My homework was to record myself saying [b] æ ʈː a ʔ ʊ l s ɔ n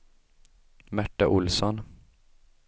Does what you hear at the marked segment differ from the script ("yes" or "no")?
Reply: yes